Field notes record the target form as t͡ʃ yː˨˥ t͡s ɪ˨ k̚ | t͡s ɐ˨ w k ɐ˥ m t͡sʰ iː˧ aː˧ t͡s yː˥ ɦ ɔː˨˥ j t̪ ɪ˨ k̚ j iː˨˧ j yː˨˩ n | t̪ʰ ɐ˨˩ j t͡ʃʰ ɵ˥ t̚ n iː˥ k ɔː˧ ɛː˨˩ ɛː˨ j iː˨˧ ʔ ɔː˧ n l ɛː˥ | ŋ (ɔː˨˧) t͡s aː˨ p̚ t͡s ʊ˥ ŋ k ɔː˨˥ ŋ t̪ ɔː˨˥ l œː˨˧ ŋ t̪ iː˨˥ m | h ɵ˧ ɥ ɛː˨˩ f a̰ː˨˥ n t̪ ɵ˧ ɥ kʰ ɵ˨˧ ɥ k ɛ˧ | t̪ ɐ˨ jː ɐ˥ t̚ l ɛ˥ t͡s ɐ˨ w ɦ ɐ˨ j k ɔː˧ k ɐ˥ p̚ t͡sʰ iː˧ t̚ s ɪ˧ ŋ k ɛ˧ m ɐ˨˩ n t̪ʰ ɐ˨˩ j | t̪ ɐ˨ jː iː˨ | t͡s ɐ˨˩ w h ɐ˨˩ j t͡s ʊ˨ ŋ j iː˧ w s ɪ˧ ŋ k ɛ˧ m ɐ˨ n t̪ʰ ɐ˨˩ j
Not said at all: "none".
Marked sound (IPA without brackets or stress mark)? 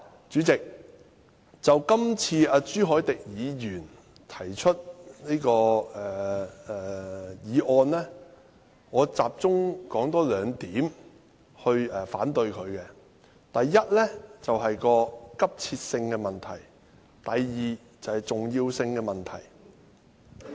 ɔː˨˧